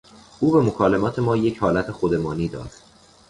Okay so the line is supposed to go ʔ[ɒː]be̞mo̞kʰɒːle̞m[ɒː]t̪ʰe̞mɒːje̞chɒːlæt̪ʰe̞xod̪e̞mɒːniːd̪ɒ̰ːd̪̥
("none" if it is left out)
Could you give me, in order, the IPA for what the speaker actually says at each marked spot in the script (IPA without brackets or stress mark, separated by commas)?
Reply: uː, ɒː